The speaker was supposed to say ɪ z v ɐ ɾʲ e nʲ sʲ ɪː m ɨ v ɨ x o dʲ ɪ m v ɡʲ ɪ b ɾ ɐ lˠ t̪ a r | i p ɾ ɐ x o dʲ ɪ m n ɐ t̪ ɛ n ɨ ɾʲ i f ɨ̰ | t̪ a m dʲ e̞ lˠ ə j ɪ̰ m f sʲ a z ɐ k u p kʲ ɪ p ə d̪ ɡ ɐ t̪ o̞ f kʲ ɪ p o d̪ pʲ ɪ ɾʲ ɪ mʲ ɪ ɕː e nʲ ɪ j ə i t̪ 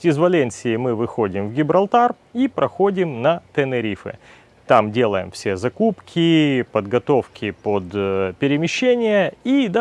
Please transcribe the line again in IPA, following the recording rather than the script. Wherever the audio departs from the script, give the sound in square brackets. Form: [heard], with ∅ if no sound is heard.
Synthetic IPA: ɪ z v ɐ [lʲ] e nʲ sʲ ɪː m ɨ v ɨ x o dʲ ɪ m v ɡʲ ɪ b ɾ ɐ lˠ t̪ a r | i p ɾ ɐ x o dʲ ɪ m n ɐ t̪ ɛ n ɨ ɾʲ i f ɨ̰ | t̪ a m dʲ e̞ lˠ ə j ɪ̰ m f sʲ [e] z ɐ k u p kʲ ɪ p ə d̪ ɡ ɐ t̪ o̞ f kʲ ɪ p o d̪ pʲ ɪ ɾʲ ɪ mʲ ɪ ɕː e nʲ ɪ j ə i [d̪]